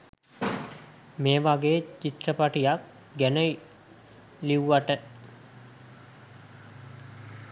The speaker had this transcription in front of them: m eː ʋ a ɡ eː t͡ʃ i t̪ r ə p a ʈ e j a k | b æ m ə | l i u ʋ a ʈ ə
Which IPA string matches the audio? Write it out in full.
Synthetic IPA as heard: m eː ʋ a ɡ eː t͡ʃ i t̪ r ə p a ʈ i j a k | ɡ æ n ə | l i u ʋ a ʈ ə